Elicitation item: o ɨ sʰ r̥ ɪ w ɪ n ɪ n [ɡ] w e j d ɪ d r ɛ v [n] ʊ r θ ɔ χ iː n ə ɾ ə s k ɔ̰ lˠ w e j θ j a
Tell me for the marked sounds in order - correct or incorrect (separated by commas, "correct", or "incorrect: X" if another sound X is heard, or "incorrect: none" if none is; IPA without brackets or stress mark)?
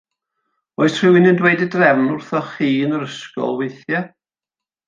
incorrect: d, correct